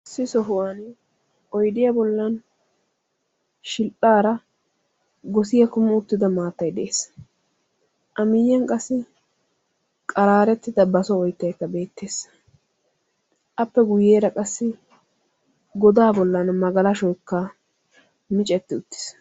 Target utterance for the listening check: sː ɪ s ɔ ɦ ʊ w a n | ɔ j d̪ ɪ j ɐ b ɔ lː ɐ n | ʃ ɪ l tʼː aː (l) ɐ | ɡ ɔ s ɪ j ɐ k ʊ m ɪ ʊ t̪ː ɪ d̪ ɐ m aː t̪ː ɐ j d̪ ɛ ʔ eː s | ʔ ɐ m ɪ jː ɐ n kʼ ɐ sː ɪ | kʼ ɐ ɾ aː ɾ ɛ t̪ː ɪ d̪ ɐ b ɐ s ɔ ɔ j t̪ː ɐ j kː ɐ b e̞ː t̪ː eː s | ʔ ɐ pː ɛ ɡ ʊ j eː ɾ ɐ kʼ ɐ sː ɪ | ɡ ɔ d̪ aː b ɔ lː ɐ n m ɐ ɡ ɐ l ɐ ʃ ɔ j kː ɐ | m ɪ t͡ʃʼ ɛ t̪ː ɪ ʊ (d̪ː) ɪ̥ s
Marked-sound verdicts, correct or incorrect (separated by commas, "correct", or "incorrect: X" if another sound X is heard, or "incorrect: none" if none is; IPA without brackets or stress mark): incorrect: ɾ, incorrect: t̪ː